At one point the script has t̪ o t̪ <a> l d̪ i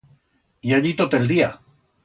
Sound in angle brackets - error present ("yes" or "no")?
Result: yes